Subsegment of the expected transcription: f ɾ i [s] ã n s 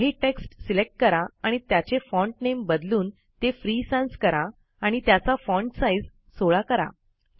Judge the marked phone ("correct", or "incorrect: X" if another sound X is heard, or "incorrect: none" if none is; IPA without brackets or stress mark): correct